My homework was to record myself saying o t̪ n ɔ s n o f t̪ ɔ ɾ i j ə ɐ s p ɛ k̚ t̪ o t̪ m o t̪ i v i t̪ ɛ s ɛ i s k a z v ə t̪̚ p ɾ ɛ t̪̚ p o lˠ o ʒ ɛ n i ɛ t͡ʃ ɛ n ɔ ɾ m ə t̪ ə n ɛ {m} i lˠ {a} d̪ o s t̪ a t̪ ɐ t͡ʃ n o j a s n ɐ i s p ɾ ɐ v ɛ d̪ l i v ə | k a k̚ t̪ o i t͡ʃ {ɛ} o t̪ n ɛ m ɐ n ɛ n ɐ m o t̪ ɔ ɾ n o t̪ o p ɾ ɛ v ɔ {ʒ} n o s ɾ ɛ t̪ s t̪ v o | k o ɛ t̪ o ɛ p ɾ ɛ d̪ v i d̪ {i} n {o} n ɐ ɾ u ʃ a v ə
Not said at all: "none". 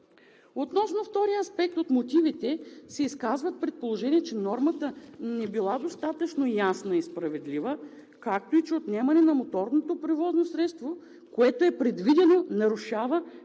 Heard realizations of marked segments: b, a, ɛ, z, ɛ, o

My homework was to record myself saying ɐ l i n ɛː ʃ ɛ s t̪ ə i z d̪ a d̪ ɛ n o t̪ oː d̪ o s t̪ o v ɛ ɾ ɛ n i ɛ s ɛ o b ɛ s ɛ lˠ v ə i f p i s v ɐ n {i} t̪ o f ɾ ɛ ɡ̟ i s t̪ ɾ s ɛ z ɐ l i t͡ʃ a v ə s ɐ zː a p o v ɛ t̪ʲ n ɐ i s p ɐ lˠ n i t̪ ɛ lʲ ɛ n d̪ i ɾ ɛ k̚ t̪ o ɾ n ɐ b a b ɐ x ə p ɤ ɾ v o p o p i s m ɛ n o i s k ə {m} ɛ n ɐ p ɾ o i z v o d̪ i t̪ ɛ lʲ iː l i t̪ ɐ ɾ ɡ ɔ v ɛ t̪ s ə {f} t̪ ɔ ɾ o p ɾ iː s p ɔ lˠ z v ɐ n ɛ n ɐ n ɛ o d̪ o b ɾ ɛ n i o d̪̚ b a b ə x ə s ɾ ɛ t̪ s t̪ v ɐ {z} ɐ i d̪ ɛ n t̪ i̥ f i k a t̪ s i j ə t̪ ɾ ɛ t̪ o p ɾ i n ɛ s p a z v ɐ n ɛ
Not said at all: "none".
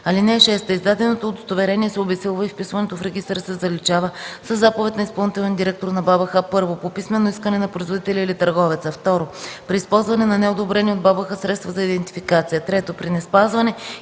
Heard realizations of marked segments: ɛ, n, f, z

